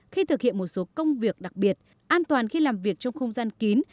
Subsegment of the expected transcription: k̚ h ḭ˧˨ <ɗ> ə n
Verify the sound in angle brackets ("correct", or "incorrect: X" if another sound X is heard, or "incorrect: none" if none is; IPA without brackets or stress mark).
incorrect: none